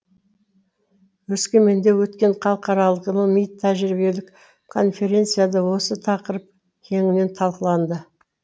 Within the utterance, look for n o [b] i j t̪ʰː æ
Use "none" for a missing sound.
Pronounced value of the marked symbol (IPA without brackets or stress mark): m